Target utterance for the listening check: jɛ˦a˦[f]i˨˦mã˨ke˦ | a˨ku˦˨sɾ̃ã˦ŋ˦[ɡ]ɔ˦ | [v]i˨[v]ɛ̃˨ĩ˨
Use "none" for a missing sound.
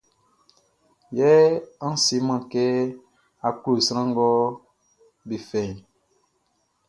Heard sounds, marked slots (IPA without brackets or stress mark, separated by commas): s, ɡ, b, f